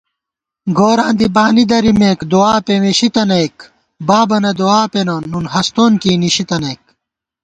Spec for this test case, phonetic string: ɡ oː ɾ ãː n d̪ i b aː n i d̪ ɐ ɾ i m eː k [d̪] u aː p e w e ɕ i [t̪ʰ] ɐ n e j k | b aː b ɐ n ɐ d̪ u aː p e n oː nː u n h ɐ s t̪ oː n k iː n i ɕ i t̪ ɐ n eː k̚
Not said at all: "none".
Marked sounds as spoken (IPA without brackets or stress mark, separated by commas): d̪, t̪